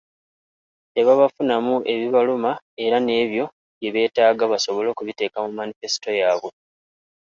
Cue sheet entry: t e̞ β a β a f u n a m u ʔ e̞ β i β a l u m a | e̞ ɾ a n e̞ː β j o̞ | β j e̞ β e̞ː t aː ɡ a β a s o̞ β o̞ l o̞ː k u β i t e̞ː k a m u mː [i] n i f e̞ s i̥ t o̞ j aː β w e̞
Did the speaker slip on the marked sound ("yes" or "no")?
yes